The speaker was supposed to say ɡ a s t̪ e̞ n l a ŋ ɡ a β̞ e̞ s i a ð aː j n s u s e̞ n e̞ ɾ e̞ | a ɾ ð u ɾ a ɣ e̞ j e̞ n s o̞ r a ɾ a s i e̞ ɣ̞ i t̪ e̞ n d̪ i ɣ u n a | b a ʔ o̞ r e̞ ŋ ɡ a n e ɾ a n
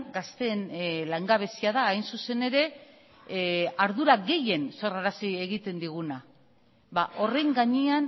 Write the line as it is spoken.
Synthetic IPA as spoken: ɡ a s t̪ e̞ n l a ŋ ɡ a β̞ e̞ s i a ð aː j n s u s e̞ n e̞ ɾ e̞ | a ɾ ð u ɾ a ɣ e̞ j e̞ n s o̞ r a ɾ a s i e̞ ɣ̞ i t̪ e̞ n d̪ i ɣ u n a | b a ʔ o̞ r e̞ ŋ ɡ a ɲ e a n